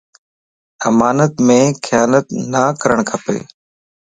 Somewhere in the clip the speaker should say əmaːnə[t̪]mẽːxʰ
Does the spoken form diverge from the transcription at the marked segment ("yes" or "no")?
no